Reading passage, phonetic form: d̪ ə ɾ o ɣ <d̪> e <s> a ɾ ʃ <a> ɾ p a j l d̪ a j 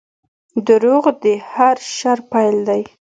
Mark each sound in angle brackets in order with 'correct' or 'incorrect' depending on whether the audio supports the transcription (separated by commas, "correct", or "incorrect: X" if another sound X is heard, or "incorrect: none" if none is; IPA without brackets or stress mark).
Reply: correct, incorrect: h, correct